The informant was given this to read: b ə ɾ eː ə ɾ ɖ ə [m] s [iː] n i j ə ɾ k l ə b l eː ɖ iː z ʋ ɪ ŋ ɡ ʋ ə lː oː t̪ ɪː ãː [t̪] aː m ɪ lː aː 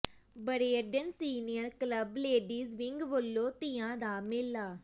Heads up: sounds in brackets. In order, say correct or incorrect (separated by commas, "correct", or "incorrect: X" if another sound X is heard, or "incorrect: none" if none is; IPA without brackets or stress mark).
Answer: incorrect: n, correct, incorrect: d̪